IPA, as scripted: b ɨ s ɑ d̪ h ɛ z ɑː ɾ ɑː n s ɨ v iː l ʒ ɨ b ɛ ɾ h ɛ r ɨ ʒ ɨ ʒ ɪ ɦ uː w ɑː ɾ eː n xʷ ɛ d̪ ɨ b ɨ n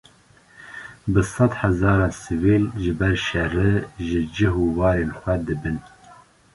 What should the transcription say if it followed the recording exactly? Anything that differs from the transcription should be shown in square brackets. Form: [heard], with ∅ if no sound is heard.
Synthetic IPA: b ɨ s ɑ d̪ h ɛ z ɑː ɾ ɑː n s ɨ v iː l ʒ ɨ b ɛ ɾ [ʃ] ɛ r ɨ ʒ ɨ [d͡ʒ] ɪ ɦ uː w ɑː ɾ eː n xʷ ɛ d̪ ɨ b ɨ n